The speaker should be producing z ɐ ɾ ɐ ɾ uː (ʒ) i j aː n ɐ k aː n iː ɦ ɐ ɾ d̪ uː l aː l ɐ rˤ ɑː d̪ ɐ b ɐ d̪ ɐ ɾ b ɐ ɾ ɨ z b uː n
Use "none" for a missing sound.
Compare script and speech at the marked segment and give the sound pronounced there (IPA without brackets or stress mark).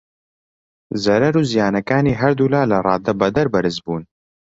z